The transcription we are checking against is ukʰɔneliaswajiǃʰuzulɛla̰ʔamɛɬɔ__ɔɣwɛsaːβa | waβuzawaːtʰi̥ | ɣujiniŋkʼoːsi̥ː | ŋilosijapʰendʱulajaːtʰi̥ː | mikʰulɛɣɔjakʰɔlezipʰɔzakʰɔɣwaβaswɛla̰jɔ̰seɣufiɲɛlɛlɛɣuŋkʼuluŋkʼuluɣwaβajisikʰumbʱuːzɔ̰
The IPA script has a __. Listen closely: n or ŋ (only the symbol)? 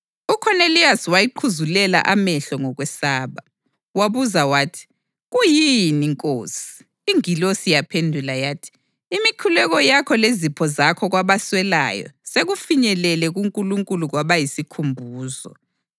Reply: ŋ